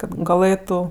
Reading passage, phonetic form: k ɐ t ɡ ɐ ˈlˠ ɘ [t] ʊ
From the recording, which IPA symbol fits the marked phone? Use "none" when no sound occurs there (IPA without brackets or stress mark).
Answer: t